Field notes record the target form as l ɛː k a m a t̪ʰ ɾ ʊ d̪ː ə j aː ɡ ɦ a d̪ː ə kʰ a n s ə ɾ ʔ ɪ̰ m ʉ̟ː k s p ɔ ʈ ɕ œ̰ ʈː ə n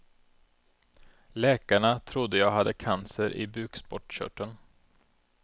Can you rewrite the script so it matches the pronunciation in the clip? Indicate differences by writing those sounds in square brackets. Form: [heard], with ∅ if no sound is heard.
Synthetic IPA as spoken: l ɛː k a [ɳ] a t̪ʰ ɾ ʊ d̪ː ə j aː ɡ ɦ a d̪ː ə kʰ a n s ə ɾ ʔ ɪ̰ [b] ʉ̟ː k s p ɔ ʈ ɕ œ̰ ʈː ə n